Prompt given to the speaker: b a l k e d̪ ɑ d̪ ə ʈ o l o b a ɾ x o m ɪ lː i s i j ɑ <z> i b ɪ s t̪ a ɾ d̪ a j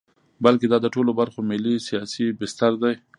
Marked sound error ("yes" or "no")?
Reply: yes